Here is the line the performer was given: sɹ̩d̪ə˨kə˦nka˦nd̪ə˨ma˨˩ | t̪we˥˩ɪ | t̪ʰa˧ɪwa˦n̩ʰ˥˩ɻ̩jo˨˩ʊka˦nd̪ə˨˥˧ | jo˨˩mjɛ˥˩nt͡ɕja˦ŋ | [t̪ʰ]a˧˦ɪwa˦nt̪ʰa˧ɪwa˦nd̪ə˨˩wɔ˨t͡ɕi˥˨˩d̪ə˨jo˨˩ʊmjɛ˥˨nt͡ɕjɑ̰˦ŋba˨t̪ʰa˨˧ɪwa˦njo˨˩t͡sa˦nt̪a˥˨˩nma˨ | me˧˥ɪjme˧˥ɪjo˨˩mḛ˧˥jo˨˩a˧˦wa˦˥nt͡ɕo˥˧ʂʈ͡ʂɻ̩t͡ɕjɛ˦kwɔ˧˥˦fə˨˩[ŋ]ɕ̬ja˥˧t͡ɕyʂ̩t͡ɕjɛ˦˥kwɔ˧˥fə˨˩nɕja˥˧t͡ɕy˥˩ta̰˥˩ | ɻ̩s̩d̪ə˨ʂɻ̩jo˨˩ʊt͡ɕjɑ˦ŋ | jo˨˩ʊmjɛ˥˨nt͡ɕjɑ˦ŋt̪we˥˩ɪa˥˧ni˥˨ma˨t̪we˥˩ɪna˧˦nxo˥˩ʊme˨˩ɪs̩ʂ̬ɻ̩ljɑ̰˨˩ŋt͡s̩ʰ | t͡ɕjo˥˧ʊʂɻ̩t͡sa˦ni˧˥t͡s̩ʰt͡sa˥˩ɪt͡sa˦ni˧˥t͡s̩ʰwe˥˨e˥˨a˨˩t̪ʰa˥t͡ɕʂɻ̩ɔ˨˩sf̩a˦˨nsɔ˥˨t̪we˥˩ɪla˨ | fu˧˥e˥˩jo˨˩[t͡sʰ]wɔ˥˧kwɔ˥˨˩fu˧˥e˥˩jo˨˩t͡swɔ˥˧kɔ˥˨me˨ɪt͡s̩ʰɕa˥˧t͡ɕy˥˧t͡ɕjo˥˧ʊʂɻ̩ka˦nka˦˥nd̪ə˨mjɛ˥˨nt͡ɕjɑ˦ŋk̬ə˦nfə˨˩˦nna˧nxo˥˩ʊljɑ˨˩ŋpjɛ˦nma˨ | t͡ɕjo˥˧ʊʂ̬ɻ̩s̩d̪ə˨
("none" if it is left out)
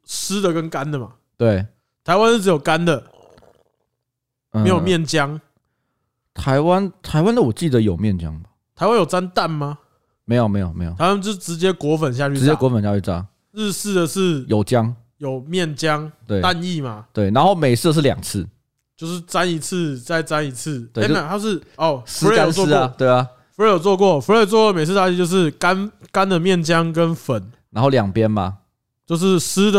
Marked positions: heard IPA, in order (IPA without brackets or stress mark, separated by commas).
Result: t̪ʰ, n, t͡s